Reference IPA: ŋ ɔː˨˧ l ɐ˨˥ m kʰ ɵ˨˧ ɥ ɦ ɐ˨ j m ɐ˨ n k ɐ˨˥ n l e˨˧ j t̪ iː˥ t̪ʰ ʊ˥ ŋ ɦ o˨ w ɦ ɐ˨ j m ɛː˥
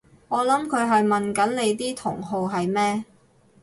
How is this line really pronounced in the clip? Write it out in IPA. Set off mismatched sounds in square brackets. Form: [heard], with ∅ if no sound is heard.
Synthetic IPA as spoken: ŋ ɔː˨˧ l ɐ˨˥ m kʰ ɵ˨˧ ɥ ɦ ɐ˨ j m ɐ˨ n k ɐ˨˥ n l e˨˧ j t̪ iː˥ t̪ʰ [ʊ˨˩] ŋ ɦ o˨ w ɦ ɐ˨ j m ɛː˥